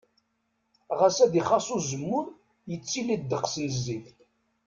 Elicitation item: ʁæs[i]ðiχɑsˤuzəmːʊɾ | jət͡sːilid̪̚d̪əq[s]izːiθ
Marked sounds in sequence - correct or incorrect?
incorrect: æ, correct

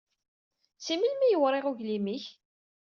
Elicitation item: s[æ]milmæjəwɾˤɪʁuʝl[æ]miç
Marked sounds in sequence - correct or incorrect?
incorrect: i, incorrect: i

